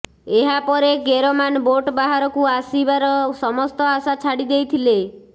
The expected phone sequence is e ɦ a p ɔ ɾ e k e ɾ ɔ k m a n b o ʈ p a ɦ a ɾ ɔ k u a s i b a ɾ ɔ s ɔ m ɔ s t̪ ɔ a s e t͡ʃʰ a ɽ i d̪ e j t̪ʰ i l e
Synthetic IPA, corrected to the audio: e ɦ a p ɔ ɾ e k e ɾ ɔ m a n b o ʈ b a ɦ a ɾ ɔ k u a s i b a ɾ ɔ s ɔ m ɔ s t̪ ɔ a s a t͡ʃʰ a ɽ i d̪ e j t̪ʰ i l e